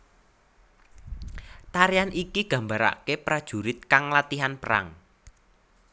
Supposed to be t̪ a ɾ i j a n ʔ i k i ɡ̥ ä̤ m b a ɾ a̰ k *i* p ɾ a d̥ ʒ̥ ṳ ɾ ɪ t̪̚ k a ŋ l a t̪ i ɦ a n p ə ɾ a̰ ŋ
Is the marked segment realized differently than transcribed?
yes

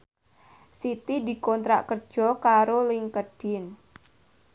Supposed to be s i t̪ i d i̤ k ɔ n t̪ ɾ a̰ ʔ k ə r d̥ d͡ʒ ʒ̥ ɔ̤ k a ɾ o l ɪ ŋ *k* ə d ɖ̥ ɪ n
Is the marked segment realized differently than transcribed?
no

